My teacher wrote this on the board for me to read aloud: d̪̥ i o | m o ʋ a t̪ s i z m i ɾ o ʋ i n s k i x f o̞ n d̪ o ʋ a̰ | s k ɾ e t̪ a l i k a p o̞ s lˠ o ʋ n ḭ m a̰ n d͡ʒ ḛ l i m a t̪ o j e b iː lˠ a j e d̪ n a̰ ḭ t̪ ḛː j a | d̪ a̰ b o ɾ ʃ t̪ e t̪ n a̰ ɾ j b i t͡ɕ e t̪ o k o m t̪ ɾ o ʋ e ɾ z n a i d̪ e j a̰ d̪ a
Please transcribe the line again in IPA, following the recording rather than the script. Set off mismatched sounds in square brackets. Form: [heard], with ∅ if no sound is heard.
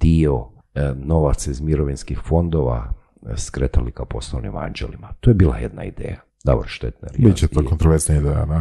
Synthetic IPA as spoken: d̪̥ i o | [n] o ʋ a t̪ s i z m i ɾ o ʋ i n s k i x f o̞ n d̪ o ʋ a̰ | s k ɾ e t̪ a l i k a p o̞ s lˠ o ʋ n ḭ m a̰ n d͡ʒ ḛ l i m a t̪ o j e b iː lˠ a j e d̪ n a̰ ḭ [d̪] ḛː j a | d̪ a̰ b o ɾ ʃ t̪ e t̪ n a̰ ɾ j b i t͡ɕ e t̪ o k o [n] t̪ ɾ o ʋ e ɾ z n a i d̪ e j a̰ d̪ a